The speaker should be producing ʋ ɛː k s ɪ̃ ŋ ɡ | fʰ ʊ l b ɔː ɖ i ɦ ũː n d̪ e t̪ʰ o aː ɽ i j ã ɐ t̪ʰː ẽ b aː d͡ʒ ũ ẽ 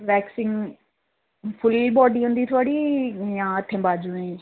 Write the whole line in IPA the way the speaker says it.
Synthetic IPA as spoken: ʋ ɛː k s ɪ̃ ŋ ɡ | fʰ ʊ l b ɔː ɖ i ɦ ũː n d̪ i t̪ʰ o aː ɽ i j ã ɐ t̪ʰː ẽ b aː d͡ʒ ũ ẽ

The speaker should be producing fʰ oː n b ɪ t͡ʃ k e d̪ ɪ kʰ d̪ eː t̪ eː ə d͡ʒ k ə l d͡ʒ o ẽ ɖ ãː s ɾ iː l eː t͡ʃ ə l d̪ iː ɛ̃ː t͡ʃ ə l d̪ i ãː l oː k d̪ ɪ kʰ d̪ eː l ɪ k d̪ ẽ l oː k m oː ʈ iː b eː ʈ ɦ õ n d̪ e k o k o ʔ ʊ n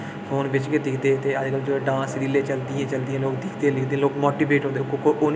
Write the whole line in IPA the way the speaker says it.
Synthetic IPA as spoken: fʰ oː n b ɪ t͡ʃ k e d̪ ɪ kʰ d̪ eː t̪ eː ə d͡ʒ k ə l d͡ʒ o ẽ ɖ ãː s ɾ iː l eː t͡ʃ ə l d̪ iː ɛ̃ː t͡ʃ ə l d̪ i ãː l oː k d̪ ɪ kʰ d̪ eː l ɪ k d̪ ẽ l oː k m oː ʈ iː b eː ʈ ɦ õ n d̪ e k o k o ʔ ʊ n

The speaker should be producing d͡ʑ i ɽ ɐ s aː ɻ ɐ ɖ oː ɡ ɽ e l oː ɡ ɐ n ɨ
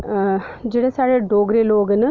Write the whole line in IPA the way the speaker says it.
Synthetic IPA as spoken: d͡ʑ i ɽ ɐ s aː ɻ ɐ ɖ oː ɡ ɾ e l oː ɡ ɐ n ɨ

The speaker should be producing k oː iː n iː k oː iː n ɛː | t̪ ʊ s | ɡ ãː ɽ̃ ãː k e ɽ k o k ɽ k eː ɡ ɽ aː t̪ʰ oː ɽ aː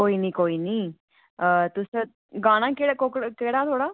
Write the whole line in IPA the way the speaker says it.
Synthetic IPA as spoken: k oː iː n iː k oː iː n iː | t̪ ʊ s | ɡ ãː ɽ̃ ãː k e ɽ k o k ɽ k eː ɽ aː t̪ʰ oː ɽ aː

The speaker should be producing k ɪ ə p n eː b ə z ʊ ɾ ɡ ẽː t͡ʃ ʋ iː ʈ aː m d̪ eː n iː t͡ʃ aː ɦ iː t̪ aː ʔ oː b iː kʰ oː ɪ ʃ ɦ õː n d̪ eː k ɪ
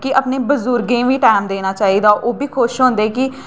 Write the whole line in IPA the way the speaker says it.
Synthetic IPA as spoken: k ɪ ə p n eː b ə z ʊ ɾ ɡ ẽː ʋ iː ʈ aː m d̪ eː n aː t͡ʃ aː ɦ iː d̪ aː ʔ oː b iː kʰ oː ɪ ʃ ɦ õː n d̪ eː k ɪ

